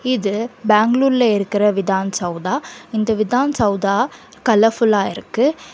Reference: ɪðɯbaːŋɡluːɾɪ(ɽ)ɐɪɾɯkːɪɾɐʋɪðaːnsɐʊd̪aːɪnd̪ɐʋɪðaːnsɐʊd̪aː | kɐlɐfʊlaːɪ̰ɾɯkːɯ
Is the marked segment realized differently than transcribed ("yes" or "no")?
yes